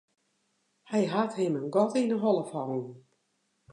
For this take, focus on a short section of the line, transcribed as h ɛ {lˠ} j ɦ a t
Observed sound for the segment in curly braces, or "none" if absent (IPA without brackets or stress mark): none